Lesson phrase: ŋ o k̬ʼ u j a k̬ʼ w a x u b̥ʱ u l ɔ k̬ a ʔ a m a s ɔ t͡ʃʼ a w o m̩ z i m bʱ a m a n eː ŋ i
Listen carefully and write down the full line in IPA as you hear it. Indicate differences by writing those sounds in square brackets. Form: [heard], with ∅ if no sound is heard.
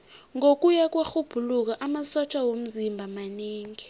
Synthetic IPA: ŋ o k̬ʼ u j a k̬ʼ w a x u b̥ʱ u l [u] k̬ a ʔ a m a s ɔ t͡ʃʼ a w o m̩ z i m bʱ a m a n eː ŋ i